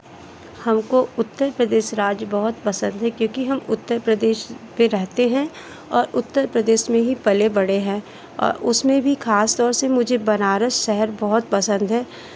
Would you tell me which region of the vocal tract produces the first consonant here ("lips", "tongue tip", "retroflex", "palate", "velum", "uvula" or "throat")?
throat